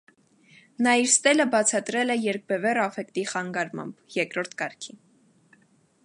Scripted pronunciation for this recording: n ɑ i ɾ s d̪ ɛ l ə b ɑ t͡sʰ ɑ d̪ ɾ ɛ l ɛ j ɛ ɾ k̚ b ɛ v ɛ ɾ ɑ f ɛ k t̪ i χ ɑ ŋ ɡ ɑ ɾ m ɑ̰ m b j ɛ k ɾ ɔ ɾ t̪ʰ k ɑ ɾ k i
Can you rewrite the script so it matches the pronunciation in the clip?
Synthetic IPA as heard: n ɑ i ɾ s t̪ ɛ l ə b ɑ t͡sʰ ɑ t̪ ɾ ɛ l ɛ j ɛ ɾ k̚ b ɛ v ɛ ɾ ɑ f ɛ k t̪ i χ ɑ ŋ ɡ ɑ ɾ m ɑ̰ m b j ɛ k ɾ ɔ ɾ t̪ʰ k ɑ ɾ kʰ i

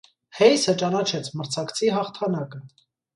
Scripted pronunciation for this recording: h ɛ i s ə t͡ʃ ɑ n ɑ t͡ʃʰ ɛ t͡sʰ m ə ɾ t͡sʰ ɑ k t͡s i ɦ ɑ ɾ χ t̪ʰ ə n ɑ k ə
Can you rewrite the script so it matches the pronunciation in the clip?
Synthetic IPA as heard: h ɛ j s ə t͡ʃ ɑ n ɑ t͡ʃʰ ɛ t͡sʰ m ə ɾ t͡sʰ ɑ k t͡sʰ i ɦ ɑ χ t̪ʰ ɑ n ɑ k ə

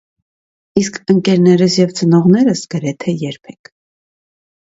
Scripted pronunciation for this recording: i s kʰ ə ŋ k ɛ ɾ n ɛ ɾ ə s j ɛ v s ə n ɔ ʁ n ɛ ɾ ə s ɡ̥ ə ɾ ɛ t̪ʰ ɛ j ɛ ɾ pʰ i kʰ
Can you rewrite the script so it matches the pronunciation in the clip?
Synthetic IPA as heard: i s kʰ ə ŋ k ɛ ɾ n ɛ ɾ ə s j ɛ v t͡s ə n ɔ ʁ n ɛ ɾ ə s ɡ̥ ə ɾ ɛ t̪ʰ ɛ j ɛ ɾ pʰ ɛ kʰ

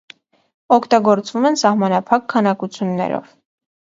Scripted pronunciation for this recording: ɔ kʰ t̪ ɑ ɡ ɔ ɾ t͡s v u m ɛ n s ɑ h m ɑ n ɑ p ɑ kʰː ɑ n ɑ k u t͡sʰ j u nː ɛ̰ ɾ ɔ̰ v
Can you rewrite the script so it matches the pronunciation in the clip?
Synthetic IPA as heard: ɔ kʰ t̪ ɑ ɡ ɔ ɾ t͡s v u m ɛ n s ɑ h m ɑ n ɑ pʰ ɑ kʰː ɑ n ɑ k u t͡sʰ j u nː ɛ̰ ɾ ɔ̰ v

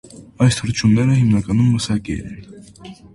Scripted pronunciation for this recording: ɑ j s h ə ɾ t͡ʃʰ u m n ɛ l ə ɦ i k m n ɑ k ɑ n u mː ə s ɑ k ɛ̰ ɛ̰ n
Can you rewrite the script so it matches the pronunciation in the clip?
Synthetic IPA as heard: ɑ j s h ə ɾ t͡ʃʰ u m n ɛ ɾ ə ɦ i m n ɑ k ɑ n u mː ə s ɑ k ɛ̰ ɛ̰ n

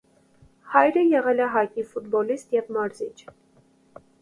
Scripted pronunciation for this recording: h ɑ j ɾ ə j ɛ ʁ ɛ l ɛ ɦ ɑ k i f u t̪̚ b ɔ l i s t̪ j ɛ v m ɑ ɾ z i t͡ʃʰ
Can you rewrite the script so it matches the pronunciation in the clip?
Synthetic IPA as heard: h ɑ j ɾ ə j ɛ ʁ ɛ l ɛ ɦ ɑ k i f u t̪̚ b ɔ l i s t̪ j ɛ v m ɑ ɾ z i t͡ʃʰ

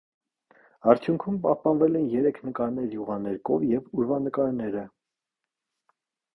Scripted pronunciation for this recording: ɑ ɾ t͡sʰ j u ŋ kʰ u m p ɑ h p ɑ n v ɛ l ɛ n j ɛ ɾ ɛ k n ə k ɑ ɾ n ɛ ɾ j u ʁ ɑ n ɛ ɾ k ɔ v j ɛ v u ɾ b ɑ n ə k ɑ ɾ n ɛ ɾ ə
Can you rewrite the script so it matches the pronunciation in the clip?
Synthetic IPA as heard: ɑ ɾ t͡sʰ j u ŋ kʰ u m p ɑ h p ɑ n v ɛ l ɛ n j ɛ ɾ ɛ kʰ n ə k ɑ ɾ n ɛ ɾ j u ʁ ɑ n ɛ ɾ k ɔ v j ɛ v u ɾ v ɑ n ə k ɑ ɾ n ɛ ɾ ə

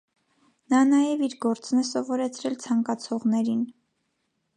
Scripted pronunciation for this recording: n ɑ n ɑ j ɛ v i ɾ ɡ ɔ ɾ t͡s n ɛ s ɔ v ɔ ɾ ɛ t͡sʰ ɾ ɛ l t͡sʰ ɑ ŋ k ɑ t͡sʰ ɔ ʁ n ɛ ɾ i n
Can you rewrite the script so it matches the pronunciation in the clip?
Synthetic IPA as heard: n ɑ n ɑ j ɛ v i ɾ ɡ ɔ ɾ t͡s n ɛ s ɔ v ɔ ɾ ɛ t͡sʰ ɾ ɛ l t͡sʰ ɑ ŋ k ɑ t͡sʰ ɔ ʁ n ɛ ɾ i n

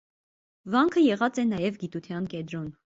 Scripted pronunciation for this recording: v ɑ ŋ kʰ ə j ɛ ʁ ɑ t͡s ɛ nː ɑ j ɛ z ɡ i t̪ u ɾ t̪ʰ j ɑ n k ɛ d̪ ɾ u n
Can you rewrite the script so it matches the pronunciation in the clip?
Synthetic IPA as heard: v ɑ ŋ kʰ ə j ɛ ʁ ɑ t͡s ɛ n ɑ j ɛ v ɡ i t̪ u t̪ʰ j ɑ n k ɛ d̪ ɾ ɔ n

